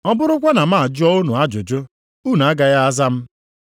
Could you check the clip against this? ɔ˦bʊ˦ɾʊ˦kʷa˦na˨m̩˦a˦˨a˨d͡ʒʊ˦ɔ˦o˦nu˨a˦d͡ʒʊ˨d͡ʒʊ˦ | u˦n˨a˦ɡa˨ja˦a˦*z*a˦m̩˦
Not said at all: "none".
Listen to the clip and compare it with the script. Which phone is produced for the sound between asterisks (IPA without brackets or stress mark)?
z